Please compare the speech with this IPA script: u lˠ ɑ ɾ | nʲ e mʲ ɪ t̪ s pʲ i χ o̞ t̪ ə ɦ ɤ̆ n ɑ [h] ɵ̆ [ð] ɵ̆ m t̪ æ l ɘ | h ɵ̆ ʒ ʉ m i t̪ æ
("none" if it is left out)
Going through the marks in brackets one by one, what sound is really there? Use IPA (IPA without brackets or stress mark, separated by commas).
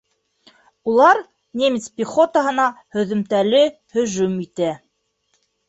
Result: h, ð